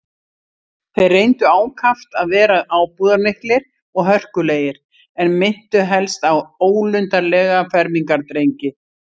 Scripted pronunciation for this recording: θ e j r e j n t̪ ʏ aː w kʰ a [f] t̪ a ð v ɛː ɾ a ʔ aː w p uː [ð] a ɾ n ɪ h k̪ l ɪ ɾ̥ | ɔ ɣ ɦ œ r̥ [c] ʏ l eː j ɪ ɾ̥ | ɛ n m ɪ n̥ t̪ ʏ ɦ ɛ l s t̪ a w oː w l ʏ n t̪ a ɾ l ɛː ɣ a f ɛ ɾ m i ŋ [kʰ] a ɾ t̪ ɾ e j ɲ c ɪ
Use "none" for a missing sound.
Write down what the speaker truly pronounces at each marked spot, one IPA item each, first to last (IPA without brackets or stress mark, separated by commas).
f, ð, k, k